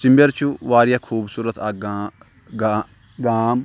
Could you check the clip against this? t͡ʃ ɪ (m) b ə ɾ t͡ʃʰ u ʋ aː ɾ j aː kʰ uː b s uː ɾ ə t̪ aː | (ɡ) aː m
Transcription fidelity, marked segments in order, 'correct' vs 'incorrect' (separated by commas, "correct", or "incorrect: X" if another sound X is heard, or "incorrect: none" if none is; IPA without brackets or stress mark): correct, correct